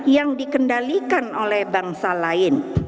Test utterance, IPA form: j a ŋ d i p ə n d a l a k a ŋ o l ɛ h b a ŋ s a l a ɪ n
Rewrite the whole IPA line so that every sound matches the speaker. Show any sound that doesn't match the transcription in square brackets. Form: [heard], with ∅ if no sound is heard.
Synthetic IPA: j a ŋ d i [k] ə n d a l [i] k a [n] o l ɛ h b a ŋ s a l a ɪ n